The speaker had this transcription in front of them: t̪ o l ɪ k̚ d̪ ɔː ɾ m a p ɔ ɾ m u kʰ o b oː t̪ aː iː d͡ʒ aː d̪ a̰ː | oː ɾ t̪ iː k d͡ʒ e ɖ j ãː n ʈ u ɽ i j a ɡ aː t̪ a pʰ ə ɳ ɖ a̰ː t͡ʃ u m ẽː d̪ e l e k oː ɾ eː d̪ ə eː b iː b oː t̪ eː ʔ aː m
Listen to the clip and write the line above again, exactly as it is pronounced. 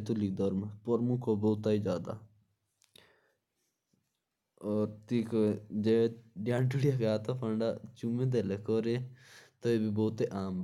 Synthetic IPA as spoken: t̪ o l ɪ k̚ d̪ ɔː ɾ m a p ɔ ɾ m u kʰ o b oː t̪ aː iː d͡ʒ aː d̪ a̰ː | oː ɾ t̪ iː k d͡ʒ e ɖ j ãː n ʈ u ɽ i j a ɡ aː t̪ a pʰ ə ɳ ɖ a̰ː t͡ʃ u m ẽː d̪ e l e k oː ɾ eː t̪ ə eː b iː b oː t̪ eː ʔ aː m